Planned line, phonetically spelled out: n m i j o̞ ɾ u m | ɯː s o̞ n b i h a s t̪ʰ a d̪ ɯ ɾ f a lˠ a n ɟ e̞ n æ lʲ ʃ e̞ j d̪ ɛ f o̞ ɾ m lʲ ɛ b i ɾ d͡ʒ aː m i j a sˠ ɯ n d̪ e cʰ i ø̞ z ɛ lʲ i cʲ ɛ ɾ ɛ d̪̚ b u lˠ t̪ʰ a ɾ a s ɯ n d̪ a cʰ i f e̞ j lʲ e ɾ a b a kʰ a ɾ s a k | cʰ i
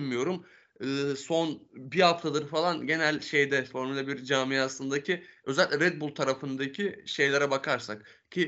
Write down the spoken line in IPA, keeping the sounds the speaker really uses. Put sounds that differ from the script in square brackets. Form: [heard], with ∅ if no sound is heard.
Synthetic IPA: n m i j o̞ ɾ u m | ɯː s o̞ n b i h a [f] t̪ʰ a d̪ ɯ ɾ f a lˠ a n ɟ e̞ n æ lʲ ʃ e̞ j d̪ ɛ f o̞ ɾ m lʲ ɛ b i ɾ d͡ʒ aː m i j a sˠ ɯ n d̪ [a] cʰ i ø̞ z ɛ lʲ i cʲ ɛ ɾ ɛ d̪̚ b u lˠ t̪ʰ a ɾ a [f] ɯ n d̪ a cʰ i [ʃ] e̞ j lʲ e ɾ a b a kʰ a ɾ s a k | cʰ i